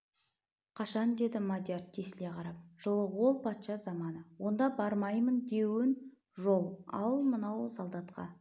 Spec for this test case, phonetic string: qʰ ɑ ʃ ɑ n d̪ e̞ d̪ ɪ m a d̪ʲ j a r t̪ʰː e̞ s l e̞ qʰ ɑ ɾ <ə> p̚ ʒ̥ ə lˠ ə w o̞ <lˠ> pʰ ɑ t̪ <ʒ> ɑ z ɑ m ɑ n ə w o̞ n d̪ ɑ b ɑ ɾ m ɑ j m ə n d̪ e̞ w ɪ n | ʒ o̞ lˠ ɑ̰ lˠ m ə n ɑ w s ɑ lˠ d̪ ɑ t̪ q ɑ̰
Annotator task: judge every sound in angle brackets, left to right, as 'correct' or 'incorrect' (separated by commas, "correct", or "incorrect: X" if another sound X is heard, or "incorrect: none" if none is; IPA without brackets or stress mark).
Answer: incorrect: ɑ, correct, incorrect: ʃ